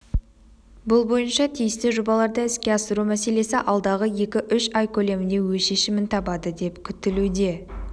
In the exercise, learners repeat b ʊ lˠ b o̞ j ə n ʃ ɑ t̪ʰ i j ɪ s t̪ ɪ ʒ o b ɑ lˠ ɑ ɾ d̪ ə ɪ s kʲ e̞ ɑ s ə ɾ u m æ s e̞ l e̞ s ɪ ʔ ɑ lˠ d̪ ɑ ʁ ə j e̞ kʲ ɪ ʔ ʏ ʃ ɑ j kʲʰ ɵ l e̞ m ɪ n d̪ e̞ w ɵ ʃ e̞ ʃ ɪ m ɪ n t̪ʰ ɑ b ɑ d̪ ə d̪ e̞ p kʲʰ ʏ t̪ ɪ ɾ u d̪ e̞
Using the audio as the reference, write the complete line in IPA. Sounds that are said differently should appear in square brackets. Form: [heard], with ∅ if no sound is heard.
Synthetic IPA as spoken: b ʊ lˠ b o̞ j ə n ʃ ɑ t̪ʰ i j ɪ s t̪ ɪ ʒ o b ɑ lˠ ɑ ɾ d̪ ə ɪ s kʲ e̞ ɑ s ə ɾ u m æ s e̞ l e̞ s ɪ ʔ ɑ lˠ d̪ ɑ ʁ ə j e̞ kʲ ɪ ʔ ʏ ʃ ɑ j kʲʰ ɵ l e̞ m ɪ n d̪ e̞ w ɵ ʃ e̞ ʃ ɪ m ɪ n t̪ʰ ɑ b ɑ d̪ ə d̪ e̞ p kʲʰ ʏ t̪ ɪ [l] u d̪ e̞